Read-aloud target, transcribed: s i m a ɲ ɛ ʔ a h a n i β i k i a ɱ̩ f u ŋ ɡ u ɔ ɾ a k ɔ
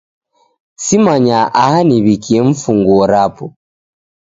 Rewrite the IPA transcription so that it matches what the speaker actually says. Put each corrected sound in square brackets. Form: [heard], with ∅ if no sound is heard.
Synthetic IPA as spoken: s i m a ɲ [a] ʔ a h a n i β i k i [ɛ] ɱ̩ f u ŋ ɡ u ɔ ɾ a [p] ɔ